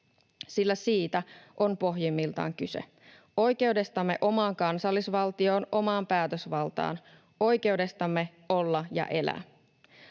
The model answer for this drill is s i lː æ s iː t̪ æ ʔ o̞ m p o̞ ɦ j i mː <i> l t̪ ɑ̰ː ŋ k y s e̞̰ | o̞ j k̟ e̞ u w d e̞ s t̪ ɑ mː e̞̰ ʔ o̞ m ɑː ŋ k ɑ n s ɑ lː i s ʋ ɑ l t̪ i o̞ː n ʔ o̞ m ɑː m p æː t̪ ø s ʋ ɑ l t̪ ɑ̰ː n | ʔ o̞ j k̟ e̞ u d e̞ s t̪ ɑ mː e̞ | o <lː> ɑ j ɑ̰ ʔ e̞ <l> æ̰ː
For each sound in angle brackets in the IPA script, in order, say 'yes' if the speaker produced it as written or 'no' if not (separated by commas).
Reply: yes, yes, yes